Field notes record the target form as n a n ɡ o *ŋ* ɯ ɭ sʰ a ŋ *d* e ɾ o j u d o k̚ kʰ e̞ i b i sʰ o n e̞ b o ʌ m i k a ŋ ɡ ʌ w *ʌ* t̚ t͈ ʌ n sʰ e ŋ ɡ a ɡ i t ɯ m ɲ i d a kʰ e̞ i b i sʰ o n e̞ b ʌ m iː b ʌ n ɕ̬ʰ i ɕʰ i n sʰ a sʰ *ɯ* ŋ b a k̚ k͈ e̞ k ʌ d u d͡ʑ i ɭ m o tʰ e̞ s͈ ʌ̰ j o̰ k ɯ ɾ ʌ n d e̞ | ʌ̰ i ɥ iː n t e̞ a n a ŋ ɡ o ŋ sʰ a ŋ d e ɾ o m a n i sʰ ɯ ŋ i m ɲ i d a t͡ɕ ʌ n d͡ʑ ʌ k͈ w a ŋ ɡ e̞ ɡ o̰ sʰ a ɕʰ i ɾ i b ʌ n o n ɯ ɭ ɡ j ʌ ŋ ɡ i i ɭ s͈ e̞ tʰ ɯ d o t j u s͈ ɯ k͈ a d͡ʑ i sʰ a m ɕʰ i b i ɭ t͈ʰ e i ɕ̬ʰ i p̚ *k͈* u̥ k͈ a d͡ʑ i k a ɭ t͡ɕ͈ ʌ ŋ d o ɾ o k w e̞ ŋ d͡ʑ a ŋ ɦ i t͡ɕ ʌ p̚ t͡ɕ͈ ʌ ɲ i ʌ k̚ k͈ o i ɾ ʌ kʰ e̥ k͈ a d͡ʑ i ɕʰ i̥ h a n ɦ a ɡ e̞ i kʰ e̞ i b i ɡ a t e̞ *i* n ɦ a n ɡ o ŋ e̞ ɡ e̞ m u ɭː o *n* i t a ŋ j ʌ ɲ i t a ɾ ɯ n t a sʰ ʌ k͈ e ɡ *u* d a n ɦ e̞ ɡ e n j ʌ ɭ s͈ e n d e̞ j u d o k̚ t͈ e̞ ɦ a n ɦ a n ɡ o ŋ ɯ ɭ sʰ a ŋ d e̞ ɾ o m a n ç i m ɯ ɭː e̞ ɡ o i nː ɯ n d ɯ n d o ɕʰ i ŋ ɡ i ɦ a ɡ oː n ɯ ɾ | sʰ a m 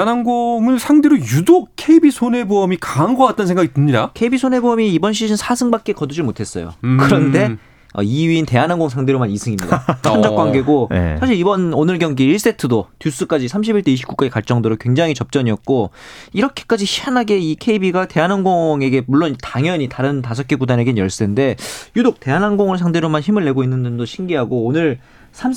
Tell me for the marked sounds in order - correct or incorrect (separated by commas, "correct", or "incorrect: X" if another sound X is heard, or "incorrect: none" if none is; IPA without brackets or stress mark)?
correct, correct, incorrect: a, correct, correct, incorrect: a, correct, correct